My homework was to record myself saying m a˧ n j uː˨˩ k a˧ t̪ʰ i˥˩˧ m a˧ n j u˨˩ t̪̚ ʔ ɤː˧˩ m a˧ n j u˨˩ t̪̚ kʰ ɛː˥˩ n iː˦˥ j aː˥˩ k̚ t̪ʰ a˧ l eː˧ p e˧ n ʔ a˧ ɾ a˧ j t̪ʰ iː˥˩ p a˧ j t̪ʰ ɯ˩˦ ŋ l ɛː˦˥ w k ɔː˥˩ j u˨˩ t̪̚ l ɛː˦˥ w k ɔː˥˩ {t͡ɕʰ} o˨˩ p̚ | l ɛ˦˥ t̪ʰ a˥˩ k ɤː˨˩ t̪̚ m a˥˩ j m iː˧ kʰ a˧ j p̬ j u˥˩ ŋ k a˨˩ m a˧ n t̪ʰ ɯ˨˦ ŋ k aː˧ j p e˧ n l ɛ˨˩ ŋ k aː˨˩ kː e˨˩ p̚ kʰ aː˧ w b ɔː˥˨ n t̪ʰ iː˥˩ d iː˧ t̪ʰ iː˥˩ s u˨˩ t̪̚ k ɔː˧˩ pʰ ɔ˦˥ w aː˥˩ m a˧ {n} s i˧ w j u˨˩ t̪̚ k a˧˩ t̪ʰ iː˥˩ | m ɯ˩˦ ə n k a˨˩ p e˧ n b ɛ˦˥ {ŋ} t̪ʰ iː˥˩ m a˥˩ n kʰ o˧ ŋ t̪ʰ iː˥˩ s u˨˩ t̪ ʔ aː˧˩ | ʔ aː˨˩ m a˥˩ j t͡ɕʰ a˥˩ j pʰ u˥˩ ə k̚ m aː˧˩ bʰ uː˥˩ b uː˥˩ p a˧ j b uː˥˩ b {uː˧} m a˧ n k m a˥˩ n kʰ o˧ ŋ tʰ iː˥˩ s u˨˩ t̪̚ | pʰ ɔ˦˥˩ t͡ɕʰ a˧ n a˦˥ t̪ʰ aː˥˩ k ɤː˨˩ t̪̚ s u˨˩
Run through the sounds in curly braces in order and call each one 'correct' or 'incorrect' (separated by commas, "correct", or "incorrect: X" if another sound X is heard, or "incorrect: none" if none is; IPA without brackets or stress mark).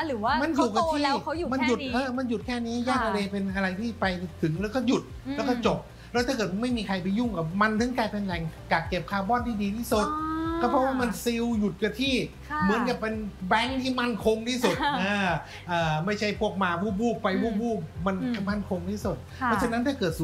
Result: incorrect: t͡ɕ, correct, correct, incorrect: uː˥˩